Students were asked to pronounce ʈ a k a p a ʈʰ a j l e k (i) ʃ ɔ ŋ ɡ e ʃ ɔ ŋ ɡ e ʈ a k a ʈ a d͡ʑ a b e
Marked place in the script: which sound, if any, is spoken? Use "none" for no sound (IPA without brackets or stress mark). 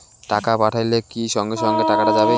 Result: i